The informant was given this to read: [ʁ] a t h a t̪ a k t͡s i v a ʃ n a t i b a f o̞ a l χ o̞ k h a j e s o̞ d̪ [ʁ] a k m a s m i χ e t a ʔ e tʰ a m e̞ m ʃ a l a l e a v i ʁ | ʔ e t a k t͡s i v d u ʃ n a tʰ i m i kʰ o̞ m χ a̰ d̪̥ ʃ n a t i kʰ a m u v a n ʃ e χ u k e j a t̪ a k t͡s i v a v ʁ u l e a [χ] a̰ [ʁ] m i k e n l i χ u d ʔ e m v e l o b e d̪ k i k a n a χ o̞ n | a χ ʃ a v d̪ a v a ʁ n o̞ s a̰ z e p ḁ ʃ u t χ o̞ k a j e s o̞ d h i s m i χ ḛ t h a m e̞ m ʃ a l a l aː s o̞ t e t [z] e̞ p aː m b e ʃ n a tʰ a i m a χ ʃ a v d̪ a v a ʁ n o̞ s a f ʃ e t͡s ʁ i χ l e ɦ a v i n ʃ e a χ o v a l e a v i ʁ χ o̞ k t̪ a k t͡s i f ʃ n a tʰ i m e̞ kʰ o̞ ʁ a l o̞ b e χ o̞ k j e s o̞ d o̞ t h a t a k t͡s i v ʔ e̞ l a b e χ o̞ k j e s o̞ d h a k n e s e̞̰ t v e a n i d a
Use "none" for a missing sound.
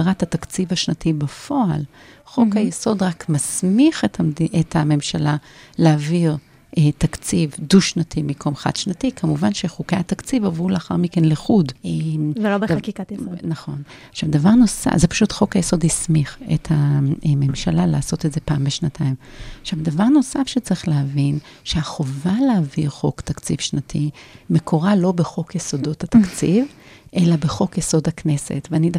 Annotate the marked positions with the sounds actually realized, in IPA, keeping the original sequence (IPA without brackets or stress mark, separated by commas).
ʁ, ʁ, χ, ʁ, z